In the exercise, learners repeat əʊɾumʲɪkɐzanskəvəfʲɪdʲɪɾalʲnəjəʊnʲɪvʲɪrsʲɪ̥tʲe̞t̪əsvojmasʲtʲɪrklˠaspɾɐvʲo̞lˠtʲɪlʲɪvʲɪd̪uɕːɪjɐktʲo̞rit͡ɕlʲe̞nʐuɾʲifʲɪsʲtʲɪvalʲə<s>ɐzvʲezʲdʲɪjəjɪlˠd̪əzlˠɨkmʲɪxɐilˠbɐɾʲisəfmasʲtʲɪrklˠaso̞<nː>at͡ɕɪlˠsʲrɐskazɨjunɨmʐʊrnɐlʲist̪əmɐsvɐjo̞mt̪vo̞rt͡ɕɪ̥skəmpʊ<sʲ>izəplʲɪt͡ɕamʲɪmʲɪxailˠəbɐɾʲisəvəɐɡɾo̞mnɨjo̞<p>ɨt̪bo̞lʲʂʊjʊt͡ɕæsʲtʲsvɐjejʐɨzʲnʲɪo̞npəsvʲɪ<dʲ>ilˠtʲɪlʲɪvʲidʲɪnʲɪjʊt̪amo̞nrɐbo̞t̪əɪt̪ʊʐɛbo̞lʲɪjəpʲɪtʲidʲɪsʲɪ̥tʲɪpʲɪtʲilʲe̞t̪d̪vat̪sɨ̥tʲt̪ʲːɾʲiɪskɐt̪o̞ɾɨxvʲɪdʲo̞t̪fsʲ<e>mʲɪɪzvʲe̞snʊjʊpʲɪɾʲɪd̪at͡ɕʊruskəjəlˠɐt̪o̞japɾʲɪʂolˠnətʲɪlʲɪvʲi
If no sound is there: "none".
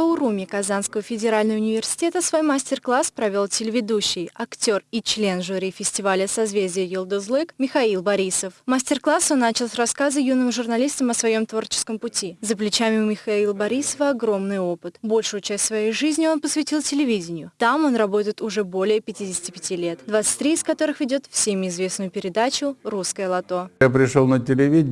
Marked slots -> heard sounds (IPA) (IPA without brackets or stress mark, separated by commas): s, nː, tʲ, p, tʲ, e